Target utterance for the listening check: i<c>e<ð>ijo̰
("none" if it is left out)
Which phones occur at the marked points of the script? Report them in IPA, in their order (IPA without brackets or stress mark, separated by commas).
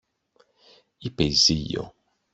p, z